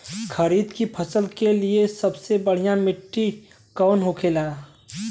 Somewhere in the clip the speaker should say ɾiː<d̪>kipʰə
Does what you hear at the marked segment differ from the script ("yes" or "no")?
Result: no